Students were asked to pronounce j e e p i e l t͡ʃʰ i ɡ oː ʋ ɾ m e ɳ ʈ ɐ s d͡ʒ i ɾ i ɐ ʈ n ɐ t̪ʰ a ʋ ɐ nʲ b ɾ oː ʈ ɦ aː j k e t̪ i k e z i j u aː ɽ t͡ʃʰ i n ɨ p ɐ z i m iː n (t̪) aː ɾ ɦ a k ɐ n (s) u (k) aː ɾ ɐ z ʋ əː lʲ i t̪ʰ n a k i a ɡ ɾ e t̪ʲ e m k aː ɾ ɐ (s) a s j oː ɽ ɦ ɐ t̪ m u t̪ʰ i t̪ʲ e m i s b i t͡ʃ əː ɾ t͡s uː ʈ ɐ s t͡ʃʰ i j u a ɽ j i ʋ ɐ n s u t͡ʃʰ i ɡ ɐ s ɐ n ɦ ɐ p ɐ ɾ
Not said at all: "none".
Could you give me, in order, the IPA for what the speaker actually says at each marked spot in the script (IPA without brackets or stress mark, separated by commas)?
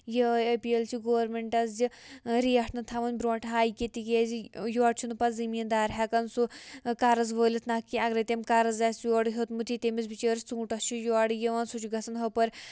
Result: d̪, s, k, z